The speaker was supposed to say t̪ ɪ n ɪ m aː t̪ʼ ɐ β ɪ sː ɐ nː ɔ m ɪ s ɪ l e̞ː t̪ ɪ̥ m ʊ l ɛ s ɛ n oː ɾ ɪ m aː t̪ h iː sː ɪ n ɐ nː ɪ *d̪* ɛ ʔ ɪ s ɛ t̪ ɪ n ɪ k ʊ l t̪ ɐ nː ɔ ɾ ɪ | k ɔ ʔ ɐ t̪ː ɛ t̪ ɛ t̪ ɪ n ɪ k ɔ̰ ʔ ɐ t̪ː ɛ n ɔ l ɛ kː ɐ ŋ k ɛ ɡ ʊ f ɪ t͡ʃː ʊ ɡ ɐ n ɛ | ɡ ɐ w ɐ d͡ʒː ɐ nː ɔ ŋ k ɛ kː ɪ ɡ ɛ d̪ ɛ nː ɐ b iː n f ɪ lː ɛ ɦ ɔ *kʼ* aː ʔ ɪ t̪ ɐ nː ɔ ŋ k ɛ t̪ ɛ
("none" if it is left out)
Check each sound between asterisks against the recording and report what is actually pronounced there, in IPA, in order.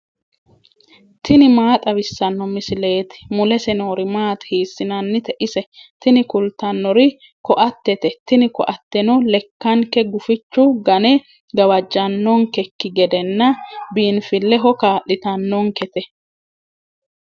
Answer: t̪, k

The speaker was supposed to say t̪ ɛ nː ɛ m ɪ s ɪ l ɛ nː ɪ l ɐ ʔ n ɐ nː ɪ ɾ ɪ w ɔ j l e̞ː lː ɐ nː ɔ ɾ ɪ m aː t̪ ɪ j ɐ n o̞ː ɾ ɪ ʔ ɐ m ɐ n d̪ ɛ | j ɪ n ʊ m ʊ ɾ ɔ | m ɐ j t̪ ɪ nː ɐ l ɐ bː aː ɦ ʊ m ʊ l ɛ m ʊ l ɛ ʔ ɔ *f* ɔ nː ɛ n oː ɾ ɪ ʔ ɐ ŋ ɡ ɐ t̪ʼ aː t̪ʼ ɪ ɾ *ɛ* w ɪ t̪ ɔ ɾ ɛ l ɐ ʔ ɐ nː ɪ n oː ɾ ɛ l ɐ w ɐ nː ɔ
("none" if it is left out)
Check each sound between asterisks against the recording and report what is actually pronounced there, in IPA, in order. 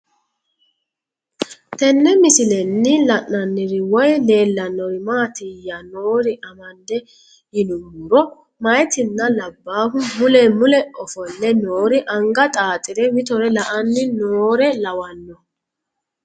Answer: f, ɛ

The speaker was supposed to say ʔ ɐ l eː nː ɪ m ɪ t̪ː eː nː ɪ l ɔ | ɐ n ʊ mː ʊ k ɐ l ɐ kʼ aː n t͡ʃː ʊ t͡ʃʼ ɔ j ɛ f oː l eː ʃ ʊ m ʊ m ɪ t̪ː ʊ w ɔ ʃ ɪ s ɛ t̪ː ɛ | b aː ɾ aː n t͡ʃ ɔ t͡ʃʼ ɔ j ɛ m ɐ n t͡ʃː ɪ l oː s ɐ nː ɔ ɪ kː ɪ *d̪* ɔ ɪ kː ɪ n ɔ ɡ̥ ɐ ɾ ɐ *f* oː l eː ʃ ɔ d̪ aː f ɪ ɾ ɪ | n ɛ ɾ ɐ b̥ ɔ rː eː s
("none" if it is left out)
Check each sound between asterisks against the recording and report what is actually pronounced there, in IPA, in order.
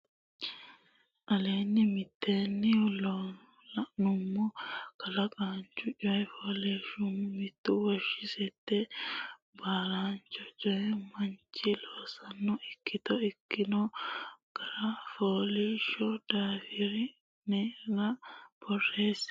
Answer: t̪, f

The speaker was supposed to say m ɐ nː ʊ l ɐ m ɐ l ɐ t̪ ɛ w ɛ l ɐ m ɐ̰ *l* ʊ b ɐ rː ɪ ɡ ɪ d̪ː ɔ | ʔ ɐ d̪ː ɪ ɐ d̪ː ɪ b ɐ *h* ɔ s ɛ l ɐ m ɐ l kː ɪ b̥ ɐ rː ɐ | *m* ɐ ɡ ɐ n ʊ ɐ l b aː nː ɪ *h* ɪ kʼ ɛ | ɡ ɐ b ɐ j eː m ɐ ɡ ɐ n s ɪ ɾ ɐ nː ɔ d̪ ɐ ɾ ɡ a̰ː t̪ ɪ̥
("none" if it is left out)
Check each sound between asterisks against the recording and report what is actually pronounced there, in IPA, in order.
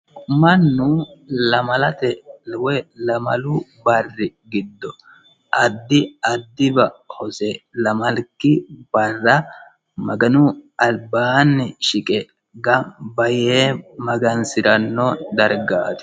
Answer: l, h, m, ʃ

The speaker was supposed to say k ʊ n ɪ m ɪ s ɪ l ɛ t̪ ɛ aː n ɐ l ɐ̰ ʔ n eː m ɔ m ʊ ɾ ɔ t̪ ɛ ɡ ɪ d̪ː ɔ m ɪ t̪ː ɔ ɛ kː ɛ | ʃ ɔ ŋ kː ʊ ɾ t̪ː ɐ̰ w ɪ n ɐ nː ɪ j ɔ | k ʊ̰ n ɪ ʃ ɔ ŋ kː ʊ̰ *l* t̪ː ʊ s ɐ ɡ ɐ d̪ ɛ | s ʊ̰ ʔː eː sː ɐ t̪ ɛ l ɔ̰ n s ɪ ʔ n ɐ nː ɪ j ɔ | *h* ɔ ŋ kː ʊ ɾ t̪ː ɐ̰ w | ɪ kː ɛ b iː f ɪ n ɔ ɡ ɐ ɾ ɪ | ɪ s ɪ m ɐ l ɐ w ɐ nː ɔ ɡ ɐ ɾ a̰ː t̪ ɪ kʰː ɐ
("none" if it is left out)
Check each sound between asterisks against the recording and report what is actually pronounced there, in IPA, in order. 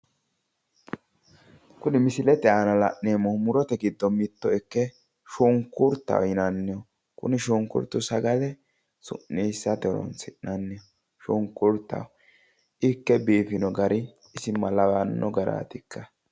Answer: ɾ, ʃ

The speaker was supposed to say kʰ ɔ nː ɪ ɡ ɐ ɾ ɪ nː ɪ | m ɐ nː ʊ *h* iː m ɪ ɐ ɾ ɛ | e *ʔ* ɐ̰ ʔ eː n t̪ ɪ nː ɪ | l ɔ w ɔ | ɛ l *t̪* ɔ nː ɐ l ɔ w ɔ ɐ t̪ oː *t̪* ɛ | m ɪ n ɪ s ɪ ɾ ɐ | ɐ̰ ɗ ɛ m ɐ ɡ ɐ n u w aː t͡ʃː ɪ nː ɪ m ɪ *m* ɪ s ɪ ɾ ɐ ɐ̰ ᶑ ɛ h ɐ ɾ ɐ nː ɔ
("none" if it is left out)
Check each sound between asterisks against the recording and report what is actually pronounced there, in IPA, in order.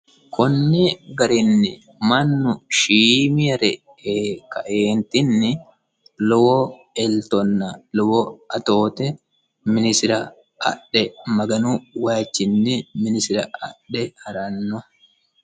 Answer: ʃ, k, t̪, t̪, n

